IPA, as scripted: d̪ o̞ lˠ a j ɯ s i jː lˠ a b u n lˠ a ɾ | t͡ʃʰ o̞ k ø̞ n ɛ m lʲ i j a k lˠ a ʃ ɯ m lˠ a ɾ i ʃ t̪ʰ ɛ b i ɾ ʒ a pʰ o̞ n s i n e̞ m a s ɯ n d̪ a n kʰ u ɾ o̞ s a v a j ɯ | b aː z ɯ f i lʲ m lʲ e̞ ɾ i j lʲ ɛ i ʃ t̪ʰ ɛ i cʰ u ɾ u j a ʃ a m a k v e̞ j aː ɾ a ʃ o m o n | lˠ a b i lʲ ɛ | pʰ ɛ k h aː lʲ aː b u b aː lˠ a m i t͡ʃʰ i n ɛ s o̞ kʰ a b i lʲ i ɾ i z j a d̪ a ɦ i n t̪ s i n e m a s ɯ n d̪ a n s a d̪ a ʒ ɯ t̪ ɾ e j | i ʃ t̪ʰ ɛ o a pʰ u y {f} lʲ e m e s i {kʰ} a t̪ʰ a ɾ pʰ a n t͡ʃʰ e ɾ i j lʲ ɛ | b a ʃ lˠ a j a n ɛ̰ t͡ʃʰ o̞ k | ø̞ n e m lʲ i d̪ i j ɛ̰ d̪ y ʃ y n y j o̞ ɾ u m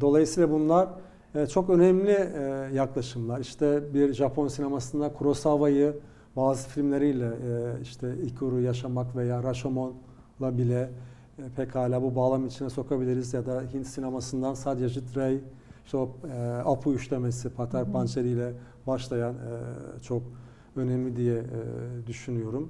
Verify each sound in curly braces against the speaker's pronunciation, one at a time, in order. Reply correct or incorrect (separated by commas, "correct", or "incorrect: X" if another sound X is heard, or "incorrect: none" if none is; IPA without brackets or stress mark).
incorrect: ʃ, incorrect: pʰ